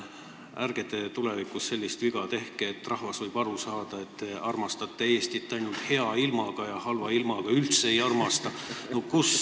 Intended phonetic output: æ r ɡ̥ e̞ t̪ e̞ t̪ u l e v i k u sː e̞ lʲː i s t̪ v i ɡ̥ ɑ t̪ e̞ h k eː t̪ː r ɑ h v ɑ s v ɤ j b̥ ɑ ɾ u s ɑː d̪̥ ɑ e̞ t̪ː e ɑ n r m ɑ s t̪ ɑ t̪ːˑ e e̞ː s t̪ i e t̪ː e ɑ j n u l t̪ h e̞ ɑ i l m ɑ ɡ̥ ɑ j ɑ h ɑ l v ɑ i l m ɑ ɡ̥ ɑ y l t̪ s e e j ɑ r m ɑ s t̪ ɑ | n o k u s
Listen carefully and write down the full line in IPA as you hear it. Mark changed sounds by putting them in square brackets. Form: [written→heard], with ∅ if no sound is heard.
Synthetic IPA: æ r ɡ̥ e̞ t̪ e̞ t̪ u l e v i k u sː e̞ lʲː i s t̪ v i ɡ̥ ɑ t̪ e̞ h k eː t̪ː r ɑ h v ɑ s v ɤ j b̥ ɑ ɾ u s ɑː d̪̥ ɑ e̞ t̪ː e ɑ [n→∅] r m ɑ s t̪ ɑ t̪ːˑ e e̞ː s t̪ i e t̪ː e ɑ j n u l t̪ h e̞ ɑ i l m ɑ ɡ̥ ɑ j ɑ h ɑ l v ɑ i l m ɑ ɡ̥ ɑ y l t̪ s e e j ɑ r m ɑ s t̪ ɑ | n o k u s